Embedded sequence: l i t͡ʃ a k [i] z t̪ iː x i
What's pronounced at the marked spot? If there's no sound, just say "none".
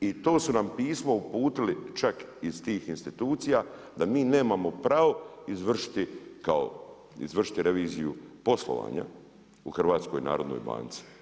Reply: i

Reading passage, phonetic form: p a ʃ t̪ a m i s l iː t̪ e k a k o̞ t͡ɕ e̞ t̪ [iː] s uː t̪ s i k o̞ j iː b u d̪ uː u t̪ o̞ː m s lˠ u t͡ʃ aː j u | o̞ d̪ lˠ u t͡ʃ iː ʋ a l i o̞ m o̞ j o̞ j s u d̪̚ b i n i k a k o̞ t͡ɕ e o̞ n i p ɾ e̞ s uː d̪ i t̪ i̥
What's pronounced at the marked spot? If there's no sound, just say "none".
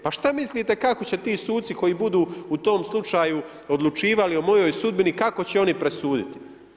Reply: iː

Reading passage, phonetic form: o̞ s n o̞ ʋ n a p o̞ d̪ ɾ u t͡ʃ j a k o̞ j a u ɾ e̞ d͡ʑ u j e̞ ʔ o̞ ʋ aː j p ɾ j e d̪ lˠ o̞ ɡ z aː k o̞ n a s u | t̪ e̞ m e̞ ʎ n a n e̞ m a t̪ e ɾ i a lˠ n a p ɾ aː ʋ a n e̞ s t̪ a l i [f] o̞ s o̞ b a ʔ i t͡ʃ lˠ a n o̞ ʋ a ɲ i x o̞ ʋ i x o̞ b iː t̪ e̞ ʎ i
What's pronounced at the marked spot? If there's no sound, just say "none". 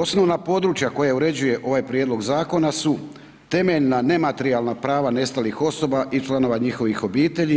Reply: x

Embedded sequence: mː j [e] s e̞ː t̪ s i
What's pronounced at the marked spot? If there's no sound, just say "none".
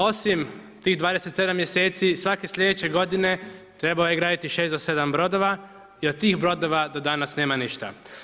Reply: e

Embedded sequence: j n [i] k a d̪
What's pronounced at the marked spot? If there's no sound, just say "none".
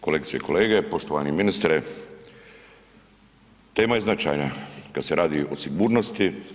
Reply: a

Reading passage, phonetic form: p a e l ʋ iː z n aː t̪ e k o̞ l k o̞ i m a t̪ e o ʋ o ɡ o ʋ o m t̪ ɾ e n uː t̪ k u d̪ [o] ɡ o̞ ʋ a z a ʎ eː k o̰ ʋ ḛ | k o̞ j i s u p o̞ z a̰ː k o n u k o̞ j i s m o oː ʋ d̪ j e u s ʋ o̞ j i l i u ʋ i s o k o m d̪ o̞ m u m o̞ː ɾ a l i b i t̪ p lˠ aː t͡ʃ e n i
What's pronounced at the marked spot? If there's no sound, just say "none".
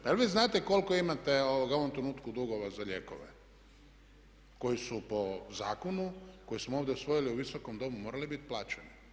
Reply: u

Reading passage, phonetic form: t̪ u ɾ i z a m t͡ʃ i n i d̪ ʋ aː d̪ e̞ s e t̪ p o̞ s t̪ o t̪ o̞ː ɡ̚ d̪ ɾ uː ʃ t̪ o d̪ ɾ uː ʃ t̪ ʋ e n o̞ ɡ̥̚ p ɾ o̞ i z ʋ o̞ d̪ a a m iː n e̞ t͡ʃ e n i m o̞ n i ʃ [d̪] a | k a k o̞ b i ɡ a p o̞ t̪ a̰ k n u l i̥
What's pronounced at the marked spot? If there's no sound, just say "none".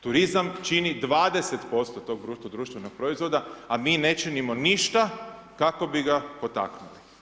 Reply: t̪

